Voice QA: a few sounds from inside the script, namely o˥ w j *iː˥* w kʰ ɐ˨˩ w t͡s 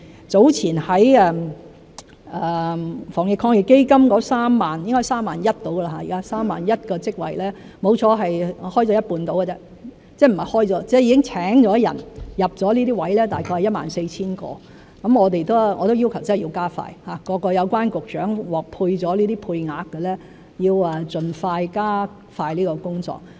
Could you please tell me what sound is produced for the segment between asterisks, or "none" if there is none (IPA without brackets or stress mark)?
i˥